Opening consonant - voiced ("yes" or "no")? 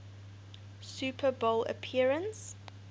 no